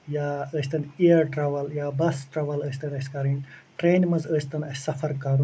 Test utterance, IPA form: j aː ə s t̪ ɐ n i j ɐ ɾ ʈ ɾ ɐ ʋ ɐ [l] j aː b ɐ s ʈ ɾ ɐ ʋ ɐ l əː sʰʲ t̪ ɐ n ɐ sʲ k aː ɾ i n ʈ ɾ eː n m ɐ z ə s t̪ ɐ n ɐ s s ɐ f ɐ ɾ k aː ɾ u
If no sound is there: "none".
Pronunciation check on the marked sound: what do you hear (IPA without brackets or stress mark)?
l